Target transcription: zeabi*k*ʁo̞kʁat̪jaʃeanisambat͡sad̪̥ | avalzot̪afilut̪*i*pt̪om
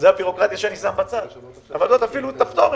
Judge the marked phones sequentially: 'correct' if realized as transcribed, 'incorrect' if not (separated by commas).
incorrect, incorrect